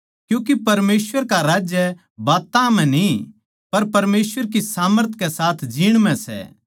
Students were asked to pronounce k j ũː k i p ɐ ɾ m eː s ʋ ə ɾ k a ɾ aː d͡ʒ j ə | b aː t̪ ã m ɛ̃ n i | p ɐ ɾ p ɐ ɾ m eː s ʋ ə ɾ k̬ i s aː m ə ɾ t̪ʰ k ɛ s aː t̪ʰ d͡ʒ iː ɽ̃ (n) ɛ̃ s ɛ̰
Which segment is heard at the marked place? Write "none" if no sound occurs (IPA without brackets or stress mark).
m